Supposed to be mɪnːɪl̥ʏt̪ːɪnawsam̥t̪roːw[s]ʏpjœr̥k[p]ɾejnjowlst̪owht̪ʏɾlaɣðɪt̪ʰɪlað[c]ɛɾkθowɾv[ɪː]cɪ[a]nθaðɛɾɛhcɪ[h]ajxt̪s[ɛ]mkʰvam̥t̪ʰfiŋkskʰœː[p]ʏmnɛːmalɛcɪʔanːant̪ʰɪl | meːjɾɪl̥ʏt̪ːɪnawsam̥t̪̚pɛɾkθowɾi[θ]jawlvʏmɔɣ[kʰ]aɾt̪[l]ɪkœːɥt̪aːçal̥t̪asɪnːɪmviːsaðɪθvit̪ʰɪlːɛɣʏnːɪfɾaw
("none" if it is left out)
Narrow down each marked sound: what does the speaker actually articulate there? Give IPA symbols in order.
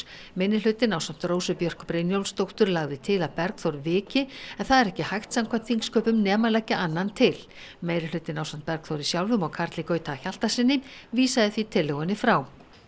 s, p, p, ɪː, ɛ, h, a, p, s, kʰ, l

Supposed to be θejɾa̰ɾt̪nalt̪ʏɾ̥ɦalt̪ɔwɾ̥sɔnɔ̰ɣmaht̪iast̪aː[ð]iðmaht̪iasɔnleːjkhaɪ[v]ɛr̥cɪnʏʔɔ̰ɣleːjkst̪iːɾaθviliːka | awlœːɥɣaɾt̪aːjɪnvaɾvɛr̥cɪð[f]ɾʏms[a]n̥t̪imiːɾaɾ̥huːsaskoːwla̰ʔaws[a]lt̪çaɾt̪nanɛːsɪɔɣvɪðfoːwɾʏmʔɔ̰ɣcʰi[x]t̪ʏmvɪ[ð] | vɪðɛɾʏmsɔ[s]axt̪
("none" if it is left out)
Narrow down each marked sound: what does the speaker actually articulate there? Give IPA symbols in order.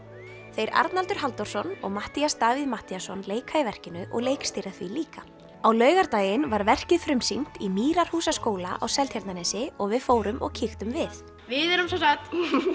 v, v, f, i, ɛ, x, θ, s

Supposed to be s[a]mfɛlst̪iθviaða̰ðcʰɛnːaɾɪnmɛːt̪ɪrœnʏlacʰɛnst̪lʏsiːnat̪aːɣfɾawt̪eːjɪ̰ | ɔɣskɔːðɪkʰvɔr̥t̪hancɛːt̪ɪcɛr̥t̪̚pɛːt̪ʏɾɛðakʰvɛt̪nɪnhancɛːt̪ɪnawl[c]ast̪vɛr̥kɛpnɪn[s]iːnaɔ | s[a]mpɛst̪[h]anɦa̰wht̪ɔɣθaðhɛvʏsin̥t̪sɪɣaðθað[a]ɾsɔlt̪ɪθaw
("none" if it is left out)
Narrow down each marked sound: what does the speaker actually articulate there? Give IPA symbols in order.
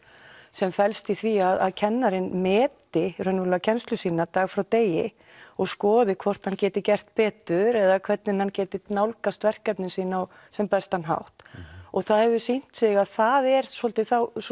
ɛ, k, s, ɛ, h, ɛ

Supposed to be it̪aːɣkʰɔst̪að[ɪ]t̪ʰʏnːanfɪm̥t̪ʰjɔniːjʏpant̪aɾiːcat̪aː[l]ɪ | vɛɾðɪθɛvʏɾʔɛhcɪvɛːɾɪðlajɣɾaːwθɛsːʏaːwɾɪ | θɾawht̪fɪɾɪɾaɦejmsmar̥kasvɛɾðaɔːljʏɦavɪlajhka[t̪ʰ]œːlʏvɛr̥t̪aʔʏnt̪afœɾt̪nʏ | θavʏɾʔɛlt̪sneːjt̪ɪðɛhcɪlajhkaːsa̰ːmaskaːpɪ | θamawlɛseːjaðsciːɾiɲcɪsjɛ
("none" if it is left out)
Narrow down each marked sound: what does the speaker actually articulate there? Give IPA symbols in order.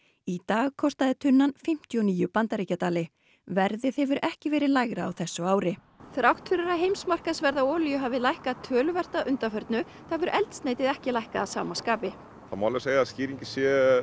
ɪ, l, t̪ʰ

